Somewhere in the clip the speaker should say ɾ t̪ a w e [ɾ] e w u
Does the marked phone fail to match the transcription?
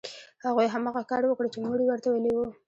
yes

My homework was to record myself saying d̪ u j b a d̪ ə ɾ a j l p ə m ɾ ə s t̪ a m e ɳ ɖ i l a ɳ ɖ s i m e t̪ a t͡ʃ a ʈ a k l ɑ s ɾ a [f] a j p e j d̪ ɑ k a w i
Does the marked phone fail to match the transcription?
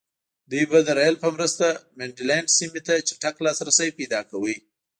yes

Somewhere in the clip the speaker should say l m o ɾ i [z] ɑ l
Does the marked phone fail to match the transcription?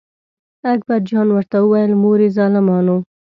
no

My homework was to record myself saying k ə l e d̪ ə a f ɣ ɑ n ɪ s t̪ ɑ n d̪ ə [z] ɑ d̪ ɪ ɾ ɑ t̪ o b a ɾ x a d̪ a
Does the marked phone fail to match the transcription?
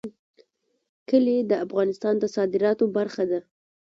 yes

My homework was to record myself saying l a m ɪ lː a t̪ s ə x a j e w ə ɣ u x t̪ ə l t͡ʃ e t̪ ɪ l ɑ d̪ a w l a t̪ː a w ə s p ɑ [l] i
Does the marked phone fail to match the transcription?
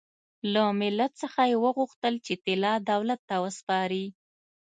yes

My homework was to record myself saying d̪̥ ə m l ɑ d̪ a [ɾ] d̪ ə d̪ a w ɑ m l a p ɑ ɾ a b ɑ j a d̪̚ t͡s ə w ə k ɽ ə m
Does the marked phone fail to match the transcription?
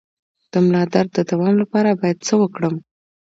no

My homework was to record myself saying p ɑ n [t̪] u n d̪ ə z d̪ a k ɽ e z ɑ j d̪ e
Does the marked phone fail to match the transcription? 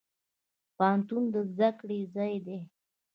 no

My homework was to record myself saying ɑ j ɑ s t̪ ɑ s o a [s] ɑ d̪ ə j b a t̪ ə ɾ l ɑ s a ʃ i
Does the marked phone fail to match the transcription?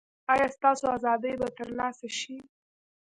yes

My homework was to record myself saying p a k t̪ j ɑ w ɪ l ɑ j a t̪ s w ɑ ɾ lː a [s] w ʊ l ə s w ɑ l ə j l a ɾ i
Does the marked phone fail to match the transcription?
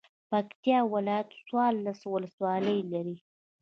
no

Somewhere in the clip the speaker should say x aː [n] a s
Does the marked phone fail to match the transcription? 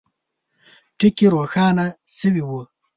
no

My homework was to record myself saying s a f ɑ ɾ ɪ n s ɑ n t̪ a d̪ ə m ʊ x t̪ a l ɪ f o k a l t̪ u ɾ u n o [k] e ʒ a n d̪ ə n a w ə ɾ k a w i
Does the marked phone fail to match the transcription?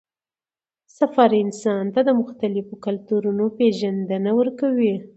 yes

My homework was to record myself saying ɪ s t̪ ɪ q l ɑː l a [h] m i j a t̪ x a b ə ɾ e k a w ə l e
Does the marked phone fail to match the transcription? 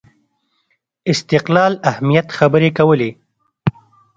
no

